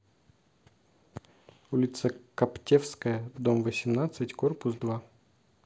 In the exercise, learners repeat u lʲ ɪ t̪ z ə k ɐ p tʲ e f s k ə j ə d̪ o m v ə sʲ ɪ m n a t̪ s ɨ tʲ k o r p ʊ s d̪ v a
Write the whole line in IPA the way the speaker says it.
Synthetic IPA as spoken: u lʲ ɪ t̪ s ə k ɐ p tʲ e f s k ə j ə d̪ o m v ə sʲ ɪ m n a t̪ s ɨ tʲ k o r p ʊ s d̪ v a